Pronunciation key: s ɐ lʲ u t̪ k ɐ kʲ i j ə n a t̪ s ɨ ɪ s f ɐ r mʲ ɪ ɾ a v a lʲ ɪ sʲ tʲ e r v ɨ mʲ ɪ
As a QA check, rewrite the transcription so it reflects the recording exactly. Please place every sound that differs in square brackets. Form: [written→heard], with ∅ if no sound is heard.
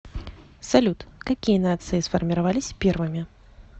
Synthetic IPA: s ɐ lʲ u t̪ k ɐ kʲ i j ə n a t̪ s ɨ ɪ s f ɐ r mʲ ɪ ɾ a v a lʲ ɪ sʲ [tʲ→pʲ] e r v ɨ mʲ ɪ